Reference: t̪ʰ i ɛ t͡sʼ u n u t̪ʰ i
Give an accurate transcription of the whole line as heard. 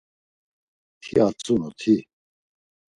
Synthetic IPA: t̪ʰ i a t͡sʼ u n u t̪ʰ i